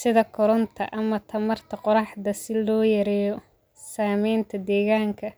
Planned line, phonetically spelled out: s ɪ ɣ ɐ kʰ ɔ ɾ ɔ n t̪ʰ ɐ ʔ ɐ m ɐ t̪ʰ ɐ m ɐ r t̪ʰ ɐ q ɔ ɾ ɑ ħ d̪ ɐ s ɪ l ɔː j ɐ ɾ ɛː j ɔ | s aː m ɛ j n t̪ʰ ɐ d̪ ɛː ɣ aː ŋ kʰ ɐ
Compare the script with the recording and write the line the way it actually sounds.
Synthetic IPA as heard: s ɪ ð ɐ kʰ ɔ ɾ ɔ n t̪ʰ ɐ ʔ ɐ m ɐ t̪ʰ ɐ m ɐ r t̪ʰ ɐ q ɔ ɾ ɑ ħ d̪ ɐ s ɪ l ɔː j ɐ ɾ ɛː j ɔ | s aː m ɛ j n t̪ʰ ɐ d̪ ɛː ɣ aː ŋ kʰ ɐ